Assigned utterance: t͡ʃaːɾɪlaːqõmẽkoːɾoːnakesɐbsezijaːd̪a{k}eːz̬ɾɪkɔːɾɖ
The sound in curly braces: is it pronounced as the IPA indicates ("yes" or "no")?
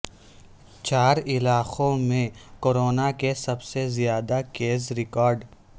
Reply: yes